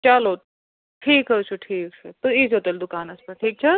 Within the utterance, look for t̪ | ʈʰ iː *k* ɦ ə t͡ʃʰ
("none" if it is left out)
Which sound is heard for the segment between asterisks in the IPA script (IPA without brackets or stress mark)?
k